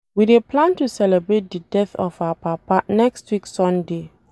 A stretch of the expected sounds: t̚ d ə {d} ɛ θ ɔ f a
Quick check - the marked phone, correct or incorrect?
correct